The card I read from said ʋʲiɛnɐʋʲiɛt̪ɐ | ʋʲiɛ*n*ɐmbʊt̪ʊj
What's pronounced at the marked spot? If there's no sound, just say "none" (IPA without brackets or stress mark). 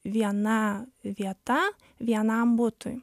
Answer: n